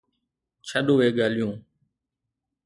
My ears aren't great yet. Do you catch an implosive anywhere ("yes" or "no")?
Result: yes